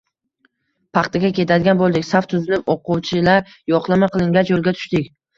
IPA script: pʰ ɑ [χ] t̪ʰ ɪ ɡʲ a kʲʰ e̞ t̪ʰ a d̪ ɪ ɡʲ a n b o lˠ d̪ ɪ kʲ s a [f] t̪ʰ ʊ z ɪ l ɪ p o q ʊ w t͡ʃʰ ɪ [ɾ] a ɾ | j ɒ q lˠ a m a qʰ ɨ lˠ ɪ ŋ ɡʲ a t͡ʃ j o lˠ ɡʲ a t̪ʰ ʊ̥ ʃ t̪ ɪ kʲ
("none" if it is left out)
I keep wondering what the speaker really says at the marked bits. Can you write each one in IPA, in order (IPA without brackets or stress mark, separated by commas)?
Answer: χ, f, l